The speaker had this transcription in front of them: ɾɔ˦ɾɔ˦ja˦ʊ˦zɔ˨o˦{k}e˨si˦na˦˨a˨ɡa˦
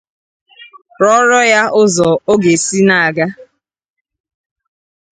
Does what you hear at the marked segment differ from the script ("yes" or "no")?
yes